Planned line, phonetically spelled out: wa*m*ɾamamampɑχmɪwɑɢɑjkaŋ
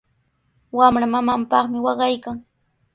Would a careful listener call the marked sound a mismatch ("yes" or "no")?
no